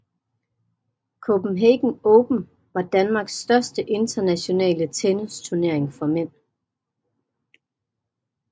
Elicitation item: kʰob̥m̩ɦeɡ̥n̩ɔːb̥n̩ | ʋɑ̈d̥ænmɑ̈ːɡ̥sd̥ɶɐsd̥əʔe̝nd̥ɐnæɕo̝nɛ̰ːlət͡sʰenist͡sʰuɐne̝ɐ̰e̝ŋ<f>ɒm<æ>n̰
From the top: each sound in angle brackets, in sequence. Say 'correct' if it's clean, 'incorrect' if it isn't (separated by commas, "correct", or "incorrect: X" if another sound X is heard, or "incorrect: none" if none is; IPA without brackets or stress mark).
correct, incorrect: e